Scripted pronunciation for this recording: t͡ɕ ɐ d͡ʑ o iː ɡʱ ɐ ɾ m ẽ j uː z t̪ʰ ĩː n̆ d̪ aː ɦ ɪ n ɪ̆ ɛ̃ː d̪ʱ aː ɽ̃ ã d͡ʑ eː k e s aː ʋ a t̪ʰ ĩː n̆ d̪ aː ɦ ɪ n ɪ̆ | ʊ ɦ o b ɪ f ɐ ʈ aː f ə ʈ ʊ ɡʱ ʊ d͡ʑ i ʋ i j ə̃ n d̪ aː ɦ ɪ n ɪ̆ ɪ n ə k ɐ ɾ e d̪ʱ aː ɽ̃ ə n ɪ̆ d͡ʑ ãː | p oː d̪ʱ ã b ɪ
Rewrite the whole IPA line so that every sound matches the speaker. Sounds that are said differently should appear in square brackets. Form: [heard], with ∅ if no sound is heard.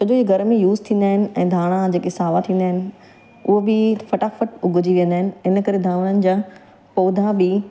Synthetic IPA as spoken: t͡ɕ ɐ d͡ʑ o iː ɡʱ ɐ ɾ m ẽ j uː z t̪ʰ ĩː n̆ d̪ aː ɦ ɪ n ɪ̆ ɛ̃ː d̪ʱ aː ɽ̃ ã d͡ʑ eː k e s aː ʋ a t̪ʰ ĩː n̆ d̪ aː ɦ ɪ n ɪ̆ | ʊ ɦ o b ɪ f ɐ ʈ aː f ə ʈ ʊ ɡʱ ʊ d͡ʑ i ʋ i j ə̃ n d̪ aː ɦ ɪ n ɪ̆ ɪ n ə k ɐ ɾ e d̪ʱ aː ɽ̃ ə n ɪ̆ d͡ʑ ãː | p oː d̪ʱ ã b ɪ